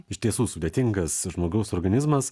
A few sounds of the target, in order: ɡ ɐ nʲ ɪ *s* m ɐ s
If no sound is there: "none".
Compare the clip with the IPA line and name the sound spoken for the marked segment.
z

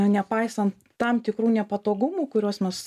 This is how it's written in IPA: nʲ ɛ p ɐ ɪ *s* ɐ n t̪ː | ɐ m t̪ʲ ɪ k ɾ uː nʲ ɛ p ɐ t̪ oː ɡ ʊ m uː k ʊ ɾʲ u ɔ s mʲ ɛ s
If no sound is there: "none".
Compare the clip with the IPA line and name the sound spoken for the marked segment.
s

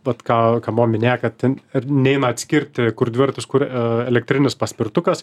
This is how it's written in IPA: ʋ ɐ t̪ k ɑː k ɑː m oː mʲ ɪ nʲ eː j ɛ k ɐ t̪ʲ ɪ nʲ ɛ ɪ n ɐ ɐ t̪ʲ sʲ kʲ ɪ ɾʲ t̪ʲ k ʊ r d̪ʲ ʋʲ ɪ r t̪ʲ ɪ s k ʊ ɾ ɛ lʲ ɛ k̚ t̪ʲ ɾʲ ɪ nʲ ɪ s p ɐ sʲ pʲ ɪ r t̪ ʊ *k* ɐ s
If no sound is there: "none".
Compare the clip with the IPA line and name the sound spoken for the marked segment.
k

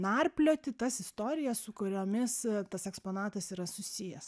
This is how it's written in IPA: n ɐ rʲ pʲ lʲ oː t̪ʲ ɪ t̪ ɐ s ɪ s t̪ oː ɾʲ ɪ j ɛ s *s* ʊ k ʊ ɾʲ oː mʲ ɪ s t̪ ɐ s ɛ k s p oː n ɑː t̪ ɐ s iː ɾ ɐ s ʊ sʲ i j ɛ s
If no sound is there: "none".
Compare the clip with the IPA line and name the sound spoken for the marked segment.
s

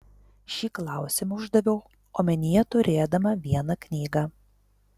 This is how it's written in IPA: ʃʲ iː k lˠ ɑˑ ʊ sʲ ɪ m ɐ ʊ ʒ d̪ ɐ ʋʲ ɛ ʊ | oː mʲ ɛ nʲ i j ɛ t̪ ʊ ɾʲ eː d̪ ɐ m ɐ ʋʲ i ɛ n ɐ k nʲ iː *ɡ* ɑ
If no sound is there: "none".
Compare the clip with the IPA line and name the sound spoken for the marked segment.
ɡ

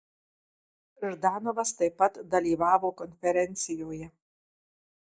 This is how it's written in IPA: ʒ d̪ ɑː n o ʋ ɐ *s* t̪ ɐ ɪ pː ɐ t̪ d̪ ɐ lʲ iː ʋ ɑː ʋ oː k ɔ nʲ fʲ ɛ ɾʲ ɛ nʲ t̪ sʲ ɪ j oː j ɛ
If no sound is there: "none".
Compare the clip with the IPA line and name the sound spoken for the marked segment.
s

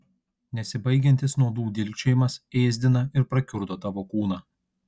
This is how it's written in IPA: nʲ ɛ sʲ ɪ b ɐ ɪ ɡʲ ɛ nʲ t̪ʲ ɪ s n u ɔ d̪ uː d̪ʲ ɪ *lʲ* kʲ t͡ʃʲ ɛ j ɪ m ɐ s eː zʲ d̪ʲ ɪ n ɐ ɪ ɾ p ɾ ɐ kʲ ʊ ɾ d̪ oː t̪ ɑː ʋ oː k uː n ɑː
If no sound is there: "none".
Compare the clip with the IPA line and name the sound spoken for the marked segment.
lʲ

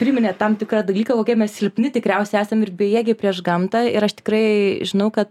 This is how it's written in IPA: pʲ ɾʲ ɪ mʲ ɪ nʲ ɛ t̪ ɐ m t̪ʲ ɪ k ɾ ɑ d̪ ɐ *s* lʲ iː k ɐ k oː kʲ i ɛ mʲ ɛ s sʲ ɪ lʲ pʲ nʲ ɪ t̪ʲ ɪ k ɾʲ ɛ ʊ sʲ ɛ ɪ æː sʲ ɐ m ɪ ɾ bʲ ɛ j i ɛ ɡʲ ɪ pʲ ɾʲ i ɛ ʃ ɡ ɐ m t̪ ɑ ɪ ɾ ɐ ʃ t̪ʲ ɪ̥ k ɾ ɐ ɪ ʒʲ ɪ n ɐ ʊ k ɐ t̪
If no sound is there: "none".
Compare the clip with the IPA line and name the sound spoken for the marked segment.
none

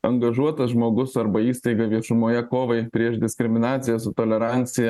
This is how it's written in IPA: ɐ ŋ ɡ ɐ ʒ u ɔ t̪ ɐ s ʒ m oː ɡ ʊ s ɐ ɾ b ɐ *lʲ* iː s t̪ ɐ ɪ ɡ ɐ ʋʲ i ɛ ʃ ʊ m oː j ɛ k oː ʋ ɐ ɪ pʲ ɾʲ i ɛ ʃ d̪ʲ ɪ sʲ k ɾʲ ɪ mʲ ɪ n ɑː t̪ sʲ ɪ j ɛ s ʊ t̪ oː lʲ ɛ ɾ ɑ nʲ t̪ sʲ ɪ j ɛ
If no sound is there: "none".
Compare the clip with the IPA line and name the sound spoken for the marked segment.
none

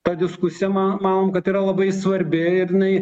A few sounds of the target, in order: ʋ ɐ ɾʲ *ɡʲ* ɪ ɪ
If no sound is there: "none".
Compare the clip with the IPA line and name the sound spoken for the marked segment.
bʲ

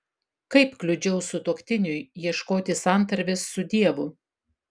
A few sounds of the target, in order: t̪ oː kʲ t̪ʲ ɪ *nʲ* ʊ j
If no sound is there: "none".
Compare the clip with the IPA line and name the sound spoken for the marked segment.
nʲ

